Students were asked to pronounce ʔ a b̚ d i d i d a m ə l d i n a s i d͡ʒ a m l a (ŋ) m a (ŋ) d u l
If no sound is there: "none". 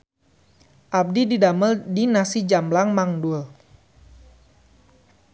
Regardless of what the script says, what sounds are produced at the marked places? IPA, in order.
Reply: ŋ, ŋ

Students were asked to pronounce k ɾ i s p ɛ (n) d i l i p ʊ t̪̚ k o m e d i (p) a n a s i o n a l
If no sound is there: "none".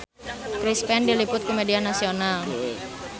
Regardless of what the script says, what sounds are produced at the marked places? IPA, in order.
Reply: n, none

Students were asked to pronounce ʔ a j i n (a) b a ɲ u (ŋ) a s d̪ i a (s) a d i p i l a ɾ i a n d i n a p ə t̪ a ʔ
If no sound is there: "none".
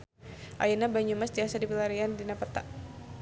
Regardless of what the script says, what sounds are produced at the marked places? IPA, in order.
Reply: a, m, s

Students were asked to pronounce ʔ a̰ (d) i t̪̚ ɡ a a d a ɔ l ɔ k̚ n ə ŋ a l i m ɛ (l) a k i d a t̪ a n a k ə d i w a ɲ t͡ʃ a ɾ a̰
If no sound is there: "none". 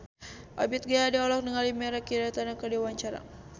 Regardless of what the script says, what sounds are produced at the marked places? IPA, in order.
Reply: b, ɾ

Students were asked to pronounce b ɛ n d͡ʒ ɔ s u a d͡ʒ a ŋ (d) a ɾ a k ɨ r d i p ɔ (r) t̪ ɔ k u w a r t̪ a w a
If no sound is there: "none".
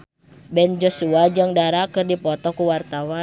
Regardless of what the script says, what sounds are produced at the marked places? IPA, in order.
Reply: d, none

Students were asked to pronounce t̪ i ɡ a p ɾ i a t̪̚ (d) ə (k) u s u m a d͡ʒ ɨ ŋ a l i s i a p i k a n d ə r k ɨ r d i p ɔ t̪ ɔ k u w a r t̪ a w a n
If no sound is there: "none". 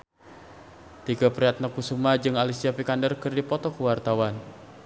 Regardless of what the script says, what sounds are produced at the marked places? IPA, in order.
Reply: n, k

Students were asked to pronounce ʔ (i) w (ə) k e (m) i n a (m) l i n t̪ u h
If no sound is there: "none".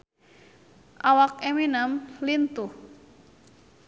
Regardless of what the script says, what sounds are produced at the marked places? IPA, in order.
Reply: a, a, m, m

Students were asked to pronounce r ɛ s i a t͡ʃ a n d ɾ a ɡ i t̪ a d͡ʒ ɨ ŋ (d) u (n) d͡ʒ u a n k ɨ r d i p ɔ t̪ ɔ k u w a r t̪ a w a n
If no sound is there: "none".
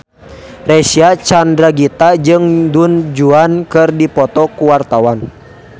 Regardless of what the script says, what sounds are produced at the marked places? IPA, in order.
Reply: d, n

